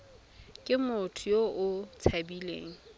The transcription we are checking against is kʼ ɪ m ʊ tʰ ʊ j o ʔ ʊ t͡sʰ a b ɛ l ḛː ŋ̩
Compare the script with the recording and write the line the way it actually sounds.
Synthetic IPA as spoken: kʼ ɪ m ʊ tʰ ʊ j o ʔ ʊ t͡sʰ a b i l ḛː ŋ̩